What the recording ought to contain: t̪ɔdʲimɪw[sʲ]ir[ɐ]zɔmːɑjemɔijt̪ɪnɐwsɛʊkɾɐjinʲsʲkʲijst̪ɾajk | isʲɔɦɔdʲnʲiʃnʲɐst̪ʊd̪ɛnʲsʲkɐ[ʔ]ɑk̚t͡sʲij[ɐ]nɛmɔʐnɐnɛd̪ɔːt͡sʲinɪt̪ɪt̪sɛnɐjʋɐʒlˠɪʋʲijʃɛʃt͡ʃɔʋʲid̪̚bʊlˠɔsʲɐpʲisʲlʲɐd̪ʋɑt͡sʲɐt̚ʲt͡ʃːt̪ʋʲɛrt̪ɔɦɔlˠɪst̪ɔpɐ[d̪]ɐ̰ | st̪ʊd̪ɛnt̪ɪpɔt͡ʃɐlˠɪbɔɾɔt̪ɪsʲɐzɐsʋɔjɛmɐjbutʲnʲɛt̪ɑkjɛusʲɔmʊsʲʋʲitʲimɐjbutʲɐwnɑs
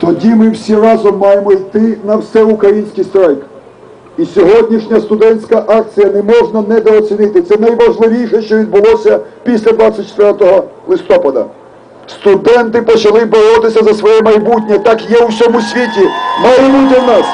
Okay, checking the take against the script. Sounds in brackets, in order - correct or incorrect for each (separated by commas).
correct, incorrect, correct, correct, correct